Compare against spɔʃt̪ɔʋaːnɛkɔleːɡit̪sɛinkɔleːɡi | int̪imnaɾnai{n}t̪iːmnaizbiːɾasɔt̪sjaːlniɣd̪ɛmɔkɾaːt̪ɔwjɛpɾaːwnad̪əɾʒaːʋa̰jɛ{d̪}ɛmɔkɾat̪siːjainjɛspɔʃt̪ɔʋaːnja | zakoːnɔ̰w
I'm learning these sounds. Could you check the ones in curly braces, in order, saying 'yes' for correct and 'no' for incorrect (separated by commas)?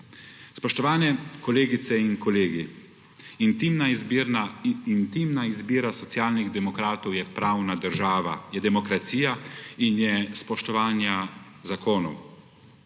yes, yes